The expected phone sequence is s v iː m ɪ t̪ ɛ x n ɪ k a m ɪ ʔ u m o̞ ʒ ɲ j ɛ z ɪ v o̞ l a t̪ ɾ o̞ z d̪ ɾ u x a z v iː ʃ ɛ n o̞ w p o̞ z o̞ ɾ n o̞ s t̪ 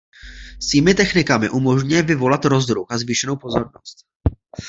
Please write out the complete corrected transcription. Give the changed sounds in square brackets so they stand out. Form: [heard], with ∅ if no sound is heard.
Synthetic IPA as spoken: s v iː m ɪ t̪ ɛ x n ɪ k a m ɪ ʔ u m o̞ ʒ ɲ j ɛ [v] ɪ v o̞ l a t̪ ɾ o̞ z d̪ ɾ u x a z v iː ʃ ɛ n o̞ w p o̞ z o̞ ɾ n o̞ s t̪